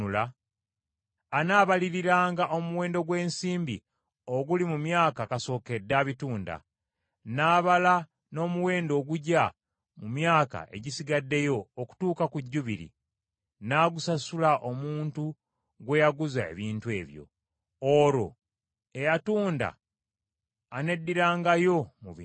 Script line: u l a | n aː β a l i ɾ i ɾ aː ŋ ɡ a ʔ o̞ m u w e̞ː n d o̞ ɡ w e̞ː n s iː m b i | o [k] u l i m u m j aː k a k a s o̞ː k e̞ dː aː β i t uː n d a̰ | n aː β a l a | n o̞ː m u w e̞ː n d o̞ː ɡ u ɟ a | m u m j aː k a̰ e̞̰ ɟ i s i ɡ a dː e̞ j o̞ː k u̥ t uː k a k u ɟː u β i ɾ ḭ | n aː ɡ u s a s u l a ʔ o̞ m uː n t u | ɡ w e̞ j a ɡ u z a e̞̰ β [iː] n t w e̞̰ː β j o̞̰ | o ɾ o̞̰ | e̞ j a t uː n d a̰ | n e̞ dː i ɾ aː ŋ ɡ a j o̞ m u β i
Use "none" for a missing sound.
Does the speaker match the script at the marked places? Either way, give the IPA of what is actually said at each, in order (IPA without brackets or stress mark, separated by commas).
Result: ɡ, iː